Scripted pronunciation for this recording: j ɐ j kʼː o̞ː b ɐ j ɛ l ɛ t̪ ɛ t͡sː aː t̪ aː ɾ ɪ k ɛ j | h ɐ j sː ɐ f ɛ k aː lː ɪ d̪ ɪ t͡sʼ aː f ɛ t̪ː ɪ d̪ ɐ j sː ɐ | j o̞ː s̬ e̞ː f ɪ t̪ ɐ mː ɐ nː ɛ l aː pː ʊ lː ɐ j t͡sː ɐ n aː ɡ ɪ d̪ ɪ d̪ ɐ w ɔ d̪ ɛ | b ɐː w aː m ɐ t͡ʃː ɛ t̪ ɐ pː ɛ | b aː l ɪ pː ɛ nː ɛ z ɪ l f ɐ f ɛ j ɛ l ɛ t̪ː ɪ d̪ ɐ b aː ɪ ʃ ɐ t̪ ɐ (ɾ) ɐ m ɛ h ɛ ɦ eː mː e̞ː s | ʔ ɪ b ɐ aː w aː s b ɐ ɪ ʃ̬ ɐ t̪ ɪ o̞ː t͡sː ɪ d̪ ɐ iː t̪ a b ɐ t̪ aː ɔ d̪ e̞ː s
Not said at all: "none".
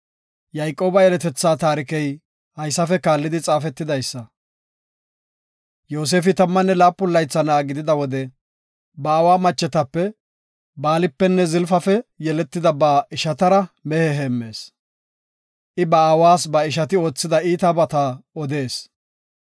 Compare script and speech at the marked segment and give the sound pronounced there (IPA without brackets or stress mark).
ɾ